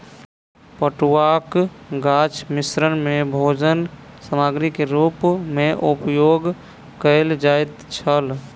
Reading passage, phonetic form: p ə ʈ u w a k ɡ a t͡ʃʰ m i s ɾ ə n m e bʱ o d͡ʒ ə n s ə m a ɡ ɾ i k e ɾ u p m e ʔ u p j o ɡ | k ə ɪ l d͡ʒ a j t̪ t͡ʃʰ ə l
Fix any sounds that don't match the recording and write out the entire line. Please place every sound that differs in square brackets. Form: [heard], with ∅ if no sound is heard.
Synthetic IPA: p ə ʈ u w a k ɡ a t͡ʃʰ m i s ɾ ə n m e bʱ o d͡ʒ ə n s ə m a ɡ ɾ i k e ɾ u p m e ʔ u p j o ɡ | k ə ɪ l d͡ʒ a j t̪ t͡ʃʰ ə l